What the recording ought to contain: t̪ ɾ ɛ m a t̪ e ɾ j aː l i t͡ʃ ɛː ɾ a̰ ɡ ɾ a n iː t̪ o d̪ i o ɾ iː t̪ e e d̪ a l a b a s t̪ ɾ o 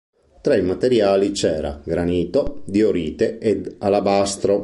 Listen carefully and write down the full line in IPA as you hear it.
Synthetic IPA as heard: t̪ ɾ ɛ m a t̪ e ɾ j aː l i t͡ʃ ɛː ɾ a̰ ɡ ɾ a n iː t̪ o d̪ i o ɾ iː t̪ e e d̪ a l a b a s t̪ ɾ o